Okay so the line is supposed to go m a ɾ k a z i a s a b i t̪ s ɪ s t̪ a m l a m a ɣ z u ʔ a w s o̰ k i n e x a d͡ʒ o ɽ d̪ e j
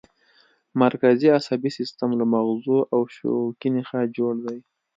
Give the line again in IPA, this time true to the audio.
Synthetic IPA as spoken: m a ɾ k a z i a s a b i s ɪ s t̪ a m l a m a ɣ z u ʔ a w ʃ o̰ k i n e x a d͡ʒ o ɽ d̪ a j